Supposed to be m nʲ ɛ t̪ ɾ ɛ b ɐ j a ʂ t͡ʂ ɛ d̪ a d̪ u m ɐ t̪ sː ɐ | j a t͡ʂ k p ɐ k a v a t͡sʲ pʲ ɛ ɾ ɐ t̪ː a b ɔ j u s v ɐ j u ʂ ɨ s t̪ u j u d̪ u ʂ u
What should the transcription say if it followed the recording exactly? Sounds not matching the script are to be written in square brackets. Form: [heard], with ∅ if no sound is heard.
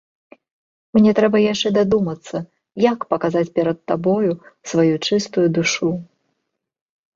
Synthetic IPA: m nʲ ɛ t̪ ɾ ɛ b ɐ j a ʂ t͡ʂ ɛ d̪ a d̪ u m ɐ t̪ sː ɐ | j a [∅] k p ɐ k a [z] a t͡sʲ pʲ ɛ ɾ ɐ t̪ː a b ɔ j u s v [a] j u [t͡ʂ] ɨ s t̪ u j u d̪ u ʂ u